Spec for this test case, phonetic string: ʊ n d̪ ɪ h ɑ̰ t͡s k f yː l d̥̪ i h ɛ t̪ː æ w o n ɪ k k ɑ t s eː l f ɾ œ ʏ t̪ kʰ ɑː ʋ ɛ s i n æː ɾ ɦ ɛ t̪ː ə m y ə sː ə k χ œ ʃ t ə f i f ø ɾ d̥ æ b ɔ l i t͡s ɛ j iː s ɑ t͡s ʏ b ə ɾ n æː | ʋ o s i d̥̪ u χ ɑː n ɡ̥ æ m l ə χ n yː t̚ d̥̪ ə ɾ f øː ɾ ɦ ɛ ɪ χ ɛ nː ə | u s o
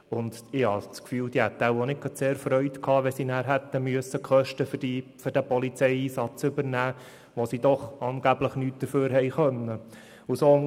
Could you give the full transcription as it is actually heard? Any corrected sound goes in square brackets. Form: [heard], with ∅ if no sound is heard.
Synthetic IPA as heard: ʊ n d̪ ɪ h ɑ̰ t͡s k f yː l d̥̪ i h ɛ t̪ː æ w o n ɪ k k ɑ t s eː [ɾ] f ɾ œ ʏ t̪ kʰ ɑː ʋ ɛ s i n æː ɾ ɦ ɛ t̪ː ə m y ə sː ə k χ œ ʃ t ə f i f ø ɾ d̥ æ [p] ɔ l i t͡s ɛ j iː s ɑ t͡s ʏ b ə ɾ n æː | ʋ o s i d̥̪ [ɔ] χ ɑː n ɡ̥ æ [b] l ə χ n yː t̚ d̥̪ ə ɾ f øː ɾ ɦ ɛ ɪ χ [œ] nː ə | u s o